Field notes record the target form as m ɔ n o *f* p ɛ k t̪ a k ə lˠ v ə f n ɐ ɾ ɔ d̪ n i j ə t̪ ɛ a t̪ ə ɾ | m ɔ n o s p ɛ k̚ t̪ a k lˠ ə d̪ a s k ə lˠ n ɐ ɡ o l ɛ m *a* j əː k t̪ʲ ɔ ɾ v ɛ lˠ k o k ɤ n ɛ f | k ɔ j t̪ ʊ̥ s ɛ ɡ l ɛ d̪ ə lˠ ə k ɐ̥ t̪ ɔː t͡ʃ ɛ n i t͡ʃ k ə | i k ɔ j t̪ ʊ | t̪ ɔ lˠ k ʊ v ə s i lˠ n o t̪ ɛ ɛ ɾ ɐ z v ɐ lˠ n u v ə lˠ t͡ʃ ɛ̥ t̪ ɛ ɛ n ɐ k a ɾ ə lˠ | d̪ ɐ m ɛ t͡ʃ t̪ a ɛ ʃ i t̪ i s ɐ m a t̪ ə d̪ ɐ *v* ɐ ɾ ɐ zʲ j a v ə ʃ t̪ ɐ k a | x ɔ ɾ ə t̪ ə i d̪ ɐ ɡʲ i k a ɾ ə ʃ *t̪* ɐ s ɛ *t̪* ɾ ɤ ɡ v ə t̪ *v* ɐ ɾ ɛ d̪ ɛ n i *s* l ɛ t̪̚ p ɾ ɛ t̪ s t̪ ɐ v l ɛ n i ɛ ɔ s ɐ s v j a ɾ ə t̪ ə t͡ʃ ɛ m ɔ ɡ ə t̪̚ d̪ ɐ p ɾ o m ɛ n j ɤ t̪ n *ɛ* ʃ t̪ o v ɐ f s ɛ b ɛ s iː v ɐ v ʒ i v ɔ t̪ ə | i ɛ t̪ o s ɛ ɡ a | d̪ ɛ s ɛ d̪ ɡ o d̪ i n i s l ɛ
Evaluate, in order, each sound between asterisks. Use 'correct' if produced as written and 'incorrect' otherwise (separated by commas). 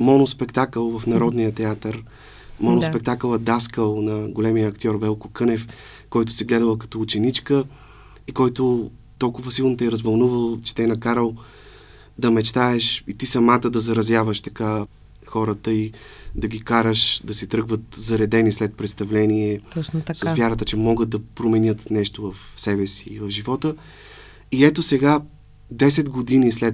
incorrect, incorrect, incorrect, incorrect, correct, incorrect, correct, correct